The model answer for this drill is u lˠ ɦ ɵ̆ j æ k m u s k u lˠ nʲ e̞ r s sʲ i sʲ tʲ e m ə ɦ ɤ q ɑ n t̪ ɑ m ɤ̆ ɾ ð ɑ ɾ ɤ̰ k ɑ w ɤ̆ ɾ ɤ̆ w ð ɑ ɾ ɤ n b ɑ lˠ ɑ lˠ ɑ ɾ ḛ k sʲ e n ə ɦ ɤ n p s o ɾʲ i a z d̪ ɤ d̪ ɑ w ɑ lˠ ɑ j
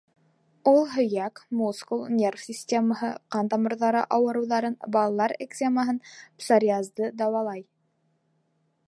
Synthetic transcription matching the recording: u lˠ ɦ ɵ̆ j æ k m u s k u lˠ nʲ e̞ r f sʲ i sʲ tʲ e m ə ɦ ɤ q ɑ n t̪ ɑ m ɤ̆ ɾ ð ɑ ɾ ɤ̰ ʔ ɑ w ɤ̆ ɾ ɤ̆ w ð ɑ ɾ ɤ n b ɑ lˠ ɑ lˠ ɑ ɾ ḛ k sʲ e m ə ɦ ɤ n p s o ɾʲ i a z d̪ ɤ d̪ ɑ w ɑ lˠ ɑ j

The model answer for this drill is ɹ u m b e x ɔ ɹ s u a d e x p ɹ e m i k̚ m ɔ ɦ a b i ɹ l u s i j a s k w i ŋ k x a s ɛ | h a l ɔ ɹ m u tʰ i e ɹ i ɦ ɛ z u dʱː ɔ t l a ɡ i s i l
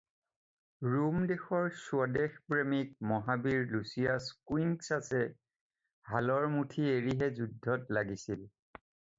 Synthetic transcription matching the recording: ɹ u m d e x ɔ ɹ s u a d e x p ɹ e m i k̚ m ɔ ɦ a b i ɹ l u s i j a s k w i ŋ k s a s ɛ | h a l ɔ ɹ m u tʰ i e ɹ i ɦ ɛ z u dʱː ɔ t l a ɡ i s i l

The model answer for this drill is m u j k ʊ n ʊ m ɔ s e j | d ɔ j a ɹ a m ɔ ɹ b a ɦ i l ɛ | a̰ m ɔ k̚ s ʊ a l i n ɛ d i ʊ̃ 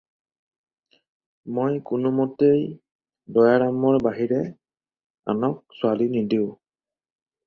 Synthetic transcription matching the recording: m o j k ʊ n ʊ m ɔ t e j | d ɔ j a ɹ a m ɔ ɹ b a ɦ i ɹ ɛ | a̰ n ɔ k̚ s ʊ a l i n i d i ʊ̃

